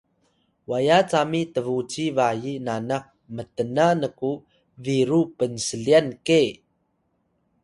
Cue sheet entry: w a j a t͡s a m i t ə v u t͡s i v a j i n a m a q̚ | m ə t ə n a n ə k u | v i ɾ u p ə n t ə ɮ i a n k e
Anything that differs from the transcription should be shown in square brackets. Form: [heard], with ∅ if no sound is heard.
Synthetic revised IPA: w a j a t͡s a m i t ə v u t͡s i v a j i n a [n] a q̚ | m ə t ə n a n ə k u | v i ɾ u p ə n [s] ə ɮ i a n k e